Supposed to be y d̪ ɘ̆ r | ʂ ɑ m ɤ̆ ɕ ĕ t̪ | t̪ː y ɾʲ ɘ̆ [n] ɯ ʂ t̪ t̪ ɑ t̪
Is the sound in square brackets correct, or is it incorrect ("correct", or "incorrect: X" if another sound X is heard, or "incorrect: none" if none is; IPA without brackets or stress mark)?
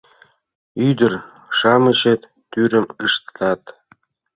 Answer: incorrect: m